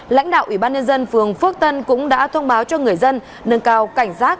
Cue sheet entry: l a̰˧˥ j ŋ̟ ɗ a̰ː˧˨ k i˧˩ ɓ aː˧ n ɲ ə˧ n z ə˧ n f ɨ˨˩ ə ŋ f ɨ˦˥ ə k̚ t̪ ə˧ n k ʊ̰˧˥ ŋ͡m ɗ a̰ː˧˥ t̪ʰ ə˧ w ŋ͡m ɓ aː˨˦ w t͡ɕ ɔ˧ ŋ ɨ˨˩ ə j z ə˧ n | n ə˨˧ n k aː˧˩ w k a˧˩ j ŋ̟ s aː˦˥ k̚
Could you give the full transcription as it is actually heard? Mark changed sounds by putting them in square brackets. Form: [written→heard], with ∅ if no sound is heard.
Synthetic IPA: l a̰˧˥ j ŋ̟ ɗ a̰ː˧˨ [k→ʔ] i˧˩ ɓ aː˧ n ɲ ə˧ n z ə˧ n f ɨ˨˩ ə ŋ f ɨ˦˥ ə k̚ t̪ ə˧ n k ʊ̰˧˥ ŋ͡m ɗ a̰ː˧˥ t̪ʰ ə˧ w ŋ͡m ɓ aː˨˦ w t͡ɕ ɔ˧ ŋ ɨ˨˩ ə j z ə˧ n | n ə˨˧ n k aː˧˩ w k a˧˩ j ŋ̟ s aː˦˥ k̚